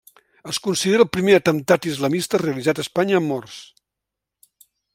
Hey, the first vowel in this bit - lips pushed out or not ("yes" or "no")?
no